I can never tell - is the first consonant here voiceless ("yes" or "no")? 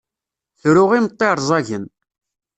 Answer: yes